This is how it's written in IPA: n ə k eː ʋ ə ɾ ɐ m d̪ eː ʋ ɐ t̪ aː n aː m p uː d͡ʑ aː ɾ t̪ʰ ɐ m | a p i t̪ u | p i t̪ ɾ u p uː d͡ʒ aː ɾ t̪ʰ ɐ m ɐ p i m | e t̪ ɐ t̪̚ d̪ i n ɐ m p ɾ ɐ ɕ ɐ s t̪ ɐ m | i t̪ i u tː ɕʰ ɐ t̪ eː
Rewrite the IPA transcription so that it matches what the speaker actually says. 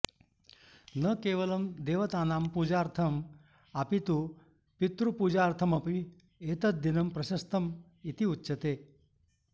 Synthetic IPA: n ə k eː ʋ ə l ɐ m d̪ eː ʋ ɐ t̪ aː n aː m p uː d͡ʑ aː ɾ t̪ʰ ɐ m | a p i t̪ u | p i t̪ ɾ u p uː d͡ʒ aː ɾ t̪ʰ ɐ m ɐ p i | e t̪ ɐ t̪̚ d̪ i n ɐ m p ɾ ɐ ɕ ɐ s t̪ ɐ m | i t̪ i u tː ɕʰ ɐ t̪ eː